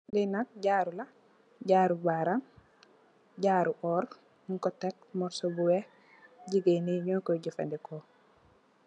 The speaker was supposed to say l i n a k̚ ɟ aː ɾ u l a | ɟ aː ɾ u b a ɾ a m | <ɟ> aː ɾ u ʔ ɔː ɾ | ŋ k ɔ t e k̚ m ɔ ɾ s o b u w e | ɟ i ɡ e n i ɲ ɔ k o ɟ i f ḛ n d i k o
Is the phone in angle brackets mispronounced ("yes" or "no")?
no